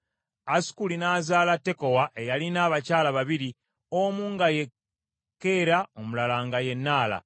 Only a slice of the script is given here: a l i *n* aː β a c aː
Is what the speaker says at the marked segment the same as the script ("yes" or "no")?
yes